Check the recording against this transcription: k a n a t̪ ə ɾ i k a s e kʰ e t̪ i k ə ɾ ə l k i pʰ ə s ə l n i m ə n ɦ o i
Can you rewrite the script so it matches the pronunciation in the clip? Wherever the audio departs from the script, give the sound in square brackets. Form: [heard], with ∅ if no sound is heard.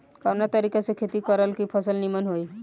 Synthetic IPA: k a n a t̪ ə ɾ i k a s e kʰ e t̪ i k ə ɾ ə l k i pʰ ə s ə l n i m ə n ɦ o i